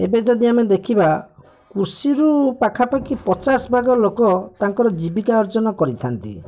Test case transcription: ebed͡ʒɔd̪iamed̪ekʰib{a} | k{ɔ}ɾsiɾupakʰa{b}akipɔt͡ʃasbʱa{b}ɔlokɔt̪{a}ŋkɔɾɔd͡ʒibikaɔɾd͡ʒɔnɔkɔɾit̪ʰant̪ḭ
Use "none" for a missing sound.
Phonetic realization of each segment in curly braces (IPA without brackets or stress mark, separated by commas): a, u, p, ɡ, a